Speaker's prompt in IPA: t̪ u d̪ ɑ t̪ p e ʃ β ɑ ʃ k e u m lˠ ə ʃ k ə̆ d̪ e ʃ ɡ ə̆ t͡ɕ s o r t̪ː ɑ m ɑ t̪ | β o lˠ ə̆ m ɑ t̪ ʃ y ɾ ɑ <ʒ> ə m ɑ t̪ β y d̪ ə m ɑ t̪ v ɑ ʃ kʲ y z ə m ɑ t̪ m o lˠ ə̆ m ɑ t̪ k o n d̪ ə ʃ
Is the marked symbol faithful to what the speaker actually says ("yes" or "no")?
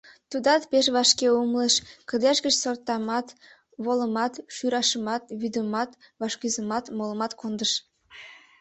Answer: no